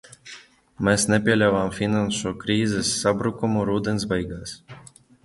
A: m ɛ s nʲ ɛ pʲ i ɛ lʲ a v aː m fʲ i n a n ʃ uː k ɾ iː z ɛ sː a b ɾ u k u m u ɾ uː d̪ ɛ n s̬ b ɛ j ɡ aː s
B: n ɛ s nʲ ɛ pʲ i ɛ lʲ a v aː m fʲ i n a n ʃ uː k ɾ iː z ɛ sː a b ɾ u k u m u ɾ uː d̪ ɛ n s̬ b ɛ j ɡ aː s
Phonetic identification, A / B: A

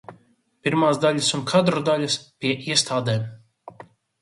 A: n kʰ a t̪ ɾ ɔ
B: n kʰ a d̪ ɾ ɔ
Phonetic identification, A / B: B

